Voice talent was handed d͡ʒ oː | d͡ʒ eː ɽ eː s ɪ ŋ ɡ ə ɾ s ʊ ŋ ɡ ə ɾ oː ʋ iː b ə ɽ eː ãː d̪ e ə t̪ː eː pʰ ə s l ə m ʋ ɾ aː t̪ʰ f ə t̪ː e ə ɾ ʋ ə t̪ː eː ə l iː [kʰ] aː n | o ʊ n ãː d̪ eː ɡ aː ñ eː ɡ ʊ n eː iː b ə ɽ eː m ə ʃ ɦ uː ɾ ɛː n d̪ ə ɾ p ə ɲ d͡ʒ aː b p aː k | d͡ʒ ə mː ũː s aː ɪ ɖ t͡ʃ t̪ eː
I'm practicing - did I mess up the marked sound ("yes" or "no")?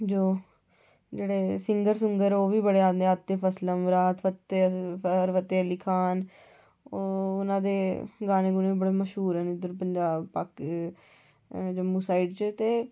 no